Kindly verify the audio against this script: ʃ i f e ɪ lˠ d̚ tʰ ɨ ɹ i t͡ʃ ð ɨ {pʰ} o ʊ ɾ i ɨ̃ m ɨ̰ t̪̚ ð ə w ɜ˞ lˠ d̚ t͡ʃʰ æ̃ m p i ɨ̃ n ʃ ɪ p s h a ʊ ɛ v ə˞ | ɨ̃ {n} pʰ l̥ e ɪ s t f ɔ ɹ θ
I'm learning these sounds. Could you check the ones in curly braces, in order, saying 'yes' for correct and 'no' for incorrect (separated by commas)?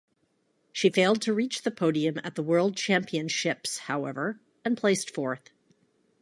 yes, yes